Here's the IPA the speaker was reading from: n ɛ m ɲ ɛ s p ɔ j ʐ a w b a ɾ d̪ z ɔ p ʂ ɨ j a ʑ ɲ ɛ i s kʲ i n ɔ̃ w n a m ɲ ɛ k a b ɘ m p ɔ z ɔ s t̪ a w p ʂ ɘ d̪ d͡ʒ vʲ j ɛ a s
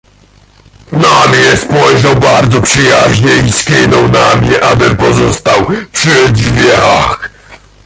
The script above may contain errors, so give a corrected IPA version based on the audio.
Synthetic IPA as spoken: n a m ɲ ɛ s p ɔ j ʐ a w b a ɾ d̪ z ɔ p ʂ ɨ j a ʑ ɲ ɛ i s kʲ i n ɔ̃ w n a m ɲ ɛ ʔ a b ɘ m p ɔ z ɔ s t̪ a w p ʂ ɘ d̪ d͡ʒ vʲ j ɛ a x